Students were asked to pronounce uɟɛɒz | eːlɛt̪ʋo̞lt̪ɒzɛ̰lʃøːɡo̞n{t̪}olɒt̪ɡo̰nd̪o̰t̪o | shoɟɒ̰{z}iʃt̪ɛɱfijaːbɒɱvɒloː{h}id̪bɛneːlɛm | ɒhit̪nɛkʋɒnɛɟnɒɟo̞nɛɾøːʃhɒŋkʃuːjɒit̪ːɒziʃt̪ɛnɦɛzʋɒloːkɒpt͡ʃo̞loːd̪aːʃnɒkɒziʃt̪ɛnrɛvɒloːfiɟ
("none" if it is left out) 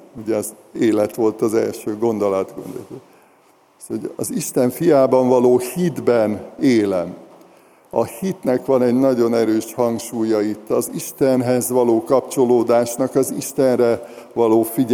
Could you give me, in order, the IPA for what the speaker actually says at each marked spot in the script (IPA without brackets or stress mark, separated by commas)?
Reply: d̪, z, h